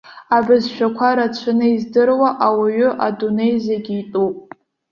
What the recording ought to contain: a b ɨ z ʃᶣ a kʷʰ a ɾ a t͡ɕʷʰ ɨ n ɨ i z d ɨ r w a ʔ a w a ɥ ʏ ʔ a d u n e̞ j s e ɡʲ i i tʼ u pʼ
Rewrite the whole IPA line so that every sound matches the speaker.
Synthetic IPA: a b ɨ z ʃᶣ a kʷʰ a ɾ a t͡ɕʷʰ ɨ n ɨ i z d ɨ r w a ʔ a w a ɥ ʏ ʔ a d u n e̞ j z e ɡʲ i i tʼ u pʼ